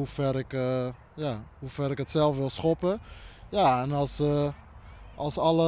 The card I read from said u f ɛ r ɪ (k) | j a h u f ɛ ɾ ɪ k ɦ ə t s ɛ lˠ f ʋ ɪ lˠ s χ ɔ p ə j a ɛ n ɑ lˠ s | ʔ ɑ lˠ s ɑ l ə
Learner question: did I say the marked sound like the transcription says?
yes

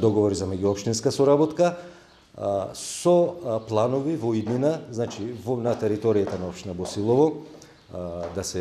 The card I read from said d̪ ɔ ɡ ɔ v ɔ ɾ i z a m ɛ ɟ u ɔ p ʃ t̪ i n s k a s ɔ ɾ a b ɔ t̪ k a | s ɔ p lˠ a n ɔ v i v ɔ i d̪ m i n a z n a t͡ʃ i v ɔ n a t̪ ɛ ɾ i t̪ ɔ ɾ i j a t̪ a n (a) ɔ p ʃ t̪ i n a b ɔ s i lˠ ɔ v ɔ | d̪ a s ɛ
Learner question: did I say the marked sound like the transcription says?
yes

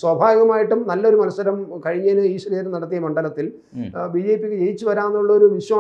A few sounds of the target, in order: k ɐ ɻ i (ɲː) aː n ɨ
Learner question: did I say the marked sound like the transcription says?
yes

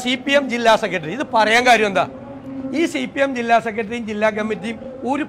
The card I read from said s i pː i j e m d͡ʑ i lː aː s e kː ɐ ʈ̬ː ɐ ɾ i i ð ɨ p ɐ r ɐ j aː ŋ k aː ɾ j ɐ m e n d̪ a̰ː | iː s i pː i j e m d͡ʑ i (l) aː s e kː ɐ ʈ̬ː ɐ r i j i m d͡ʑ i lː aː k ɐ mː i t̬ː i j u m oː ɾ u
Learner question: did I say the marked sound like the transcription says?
no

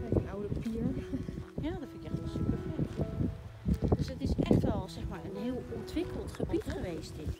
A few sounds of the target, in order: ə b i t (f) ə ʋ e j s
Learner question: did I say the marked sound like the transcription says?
no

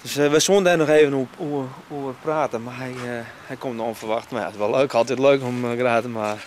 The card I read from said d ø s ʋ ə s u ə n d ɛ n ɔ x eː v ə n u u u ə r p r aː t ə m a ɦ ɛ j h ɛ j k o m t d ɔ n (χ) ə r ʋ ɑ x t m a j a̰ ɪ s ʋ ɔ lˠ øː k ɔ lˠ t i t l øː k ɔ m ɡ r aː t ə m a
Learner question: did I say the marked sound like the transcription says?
no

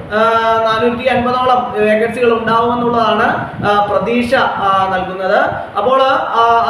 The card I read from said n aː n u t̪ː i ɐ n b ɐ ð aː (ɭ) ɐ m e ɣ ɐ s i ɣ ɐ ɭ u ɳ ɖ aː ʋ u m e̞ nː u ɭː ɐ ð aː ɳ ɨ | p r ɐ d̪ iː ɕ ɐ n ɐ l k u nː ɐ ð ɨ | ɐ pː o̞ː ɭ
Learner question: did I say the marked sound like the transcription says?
yes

